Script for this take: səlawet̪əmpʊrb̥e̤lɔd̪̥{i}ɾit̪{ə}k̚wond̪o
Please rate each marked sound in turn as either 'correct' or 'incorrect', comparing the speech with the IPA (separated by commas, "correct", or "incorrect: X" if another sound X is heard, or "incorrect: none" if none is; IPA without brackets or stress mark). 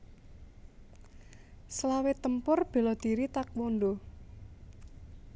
correct, incorrect: a